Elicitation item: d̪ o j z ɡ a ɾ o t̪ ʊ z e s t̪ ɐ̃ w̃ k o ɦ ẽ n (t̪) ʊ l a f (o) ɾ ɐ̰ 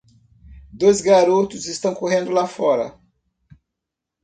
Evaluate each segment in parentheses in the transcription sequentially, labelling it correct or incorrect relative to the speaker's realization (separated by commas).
incorrect, incorrect